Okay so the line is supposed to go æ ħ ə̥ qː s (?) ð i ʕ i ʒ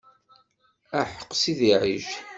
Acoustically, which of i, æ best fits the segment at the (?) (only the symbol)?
i